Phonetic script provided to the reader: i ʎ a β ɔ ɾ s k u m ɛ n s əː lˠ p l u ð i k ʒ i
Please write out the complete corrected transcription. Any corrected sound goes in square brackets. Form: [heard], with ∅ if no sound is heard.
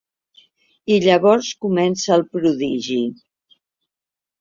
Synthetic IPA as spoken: i ʎ [ə] β ɔ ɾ s k u m ɛ n s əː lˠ p [ɾ] u ð i [∅] ʒ i

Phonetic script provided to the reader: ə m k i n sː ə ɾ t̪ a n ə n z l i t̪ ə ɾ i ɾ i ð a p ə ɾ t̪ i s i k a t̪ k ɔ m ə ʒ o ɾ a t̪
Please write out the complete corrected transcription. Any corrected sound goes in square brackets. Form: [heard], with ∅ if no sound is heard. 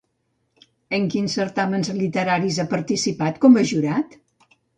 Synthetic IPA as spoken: ə [ŋ] k i n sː ə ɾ t̪ a [m] ə n z l i t̪ ə ɾ [a] ɾ i [z] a p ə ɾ t̪ i s i [p] a t̪ k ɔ m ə ʒ [u] ɾ a t̪

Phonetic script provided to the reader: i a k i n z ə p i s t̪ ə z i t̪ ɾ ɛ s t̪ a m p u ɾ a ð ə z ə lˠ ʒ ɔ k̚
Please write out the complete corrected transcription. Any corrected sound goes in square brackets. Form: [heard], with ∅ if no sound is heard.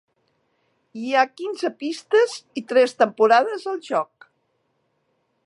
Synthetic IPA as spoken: i a k i n z ə p i s t̪ ə z i t̪ ɾ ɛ s t̪ [ə] m p u ɾ a ð ə z ə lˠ ʒ ɔ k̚

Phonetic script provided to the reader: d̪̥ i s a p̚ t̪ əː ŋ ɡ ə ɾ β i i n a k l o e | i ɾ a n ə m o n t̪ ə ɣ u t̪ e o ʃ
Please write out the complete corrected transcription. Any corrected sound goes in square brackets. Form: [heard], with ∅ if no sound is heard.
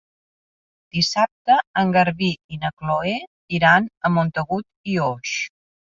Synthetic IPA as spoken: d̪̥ i s a p̚ t̪ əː ŋ ɡ ə ɾ β i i n [ə] k l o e | i ɾ a n ə m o n t̪ ə ɣ u t̪ [i] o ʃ

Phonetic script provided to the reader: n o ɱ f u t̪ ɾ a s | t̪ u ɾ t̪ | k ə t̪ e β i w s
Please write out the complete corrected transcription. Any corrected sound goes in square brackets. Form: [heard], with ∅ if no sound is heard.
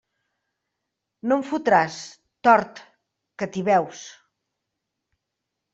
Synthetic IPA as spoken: n o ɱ f u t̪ ɾ a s | t̪ [ɔ] ɾ t̪ | k ə t̪ [i] β [ɛ] w s

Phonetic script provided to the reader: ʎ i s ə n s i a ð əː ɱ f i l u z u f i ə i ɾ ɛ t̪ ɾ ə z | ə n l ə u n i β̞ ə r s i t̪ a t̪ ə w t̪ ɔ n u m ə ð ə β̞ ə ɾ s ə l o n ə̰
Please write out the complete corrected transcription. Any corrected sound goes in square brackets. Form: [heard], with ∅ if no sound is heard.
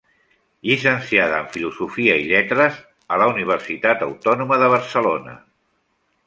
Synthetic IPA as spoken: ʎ i s ə n s i a ð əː ɱ f i l u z u f i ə i [ʎ] ɛ t̪ ɾ ə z | ə [∅] l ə u n i β̞ ə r s i t̪ a t̪ ə w t̪ ɔ n u m ə ð ə β̞ ə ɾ s ə l o n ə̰

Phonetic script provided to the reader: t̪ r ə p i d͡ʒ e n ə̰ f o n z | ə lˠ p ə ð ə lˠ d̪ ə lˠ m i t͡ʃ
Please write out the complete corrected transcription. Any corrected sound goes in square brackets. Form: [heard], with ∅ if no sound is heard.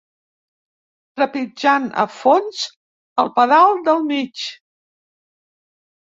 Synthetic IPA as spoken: t̪ [ɾ] ə p i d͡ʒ [a] n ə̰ f o n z | ə lˠ p ə ð [a] lˠ d̪ ə lˠ m i t͡ʃ

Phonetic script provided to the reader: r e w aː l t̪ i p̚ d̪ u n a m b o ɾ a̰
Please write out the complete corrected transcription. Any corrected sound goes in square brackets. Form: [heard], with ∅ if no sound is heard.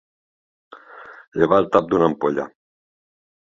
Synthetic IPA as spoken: [ʎ] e [β] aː l t̪ [a] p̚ d̪ u n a m [p] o [ʎ] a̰

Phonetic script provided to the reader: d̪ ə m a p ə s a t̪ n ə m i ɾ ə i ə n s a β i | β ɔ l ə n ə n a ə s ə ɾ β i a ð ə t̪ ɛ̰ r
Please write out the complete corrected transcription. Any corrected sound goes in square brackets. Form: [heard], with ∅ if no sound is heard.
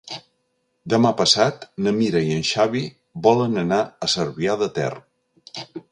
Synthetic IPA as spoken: d̪ ə m a p ə s a t̪ n ə m i ɾ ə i ə n [ʃ] a β i | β ɔ l ə n ə n a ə s ə ɾ β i a ð ə t̪ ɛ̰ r

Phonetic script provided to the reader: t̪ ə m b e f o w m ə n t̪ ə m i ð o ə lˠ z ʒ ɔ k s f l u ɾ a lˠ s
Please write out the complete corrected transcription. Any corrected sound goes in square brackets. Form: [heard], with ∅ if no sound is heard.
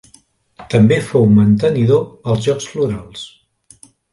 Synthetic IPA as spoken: t̪ ə m b e f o w m ə n t̪ ə [n] i ð o ə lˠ z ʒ ɔ k s f l u ɾ a lˠ s

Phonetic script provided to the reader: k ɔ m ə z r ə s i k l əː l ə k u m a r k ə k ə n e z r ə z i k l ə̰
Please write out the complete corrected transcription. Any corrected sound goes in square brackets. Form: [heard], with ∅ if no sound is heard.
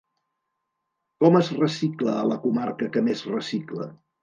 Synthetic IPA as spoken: k ɔ m ə z r ə s i k l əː l ə k u m a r k ə k ə [m] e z r ə [s] i k l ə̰

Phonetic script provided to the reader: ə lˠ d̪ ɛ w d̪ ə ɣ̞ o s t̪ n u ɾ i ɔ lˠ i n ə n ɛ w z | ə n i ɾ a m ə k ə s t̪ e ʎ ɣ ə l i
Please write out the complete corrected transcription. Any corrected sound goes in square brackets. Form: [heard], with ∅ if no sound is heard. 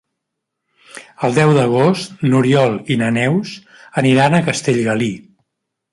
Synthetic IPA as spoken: ə lˠ d̪ ɛ w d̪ ə ɣ̞ o s t̪ n u ɾ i ɔ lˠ i n ə n ɛ w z | ə n i ɾ a [n] ə k ə s t̪ e ʎ ɣ ə l i

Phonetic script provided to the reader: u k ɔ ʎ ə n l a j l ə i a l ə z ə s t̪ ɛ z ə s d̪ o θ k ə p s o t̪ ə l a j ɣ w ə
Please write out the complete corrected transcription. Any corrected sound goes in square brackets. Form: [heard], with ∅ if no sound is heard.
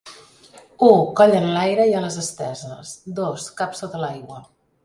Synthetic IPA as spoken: u k ɔ ʎ ə n l a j [ɾ] ə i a l ə z ə s t̪ ɛ z ə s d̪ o [s] k [a] p s o t̪ ə l a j ɣ w ə

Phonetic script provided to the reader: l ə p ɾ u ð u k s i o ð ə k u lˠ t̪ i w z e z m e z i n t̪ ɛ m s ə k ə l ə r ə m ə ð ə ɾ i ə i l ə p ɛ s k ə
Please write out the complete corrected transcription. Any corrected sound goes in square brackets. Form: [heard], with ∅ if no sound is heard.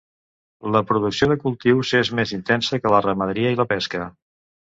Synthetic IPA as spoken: l ə p ɾ u ð u k s i o ð ə k u lˠ t̪ i w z e z m e z i n t̪ ɛ [n] s ə k ə l ə r ə m ə ð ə ɾ i ə i l ə p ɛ s k ə

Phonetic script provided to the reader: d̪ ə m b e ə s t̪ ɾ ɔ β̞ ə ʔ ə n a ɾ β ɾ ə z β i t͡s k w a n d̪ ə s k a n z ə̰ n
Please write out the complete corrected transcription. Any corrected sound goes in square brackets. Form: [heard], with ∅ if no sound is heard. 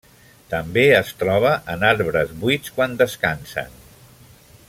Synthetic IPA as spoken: [t̪] ə m b e ə s t̪ ɾ ɔ β̞ ə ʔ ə n a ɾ β ɾ ə z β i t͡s k w a n d̪ ə s k a n [s] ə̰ n

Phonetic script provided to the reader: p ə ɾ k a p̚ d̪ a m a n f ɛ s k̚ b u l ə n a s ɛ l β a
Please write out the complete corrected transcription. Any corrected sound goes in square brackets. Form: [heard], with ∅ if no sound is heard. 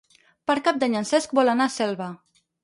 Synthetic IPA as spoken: p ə ɾ k a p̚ d̪ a [ɲ] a n [s] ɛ s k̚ b [ɔ] l [a] n a s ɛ l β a

